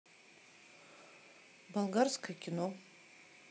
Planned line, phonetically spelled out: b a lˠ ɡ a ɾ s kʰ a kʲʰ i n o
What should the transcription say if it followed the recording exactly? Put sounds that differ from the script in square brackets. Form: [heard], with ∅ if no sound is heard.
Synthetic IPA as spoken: b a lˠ ɡ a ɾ s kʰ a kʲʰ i n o